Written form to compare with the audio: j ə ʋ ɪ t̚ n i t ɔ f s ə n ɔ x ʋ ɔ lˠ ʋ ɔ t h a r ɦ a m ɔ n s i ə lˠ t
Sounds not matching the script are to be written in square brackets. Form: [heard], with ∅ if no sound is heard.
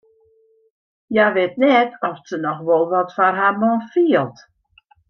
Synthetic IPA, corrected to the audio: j [a] ʋ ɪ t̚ n [ɛ] t ɔ f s ə n ɔ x ʋ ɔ lˠ ʋ ɔ t [f] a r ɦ a m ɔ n [f] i ə lˠ t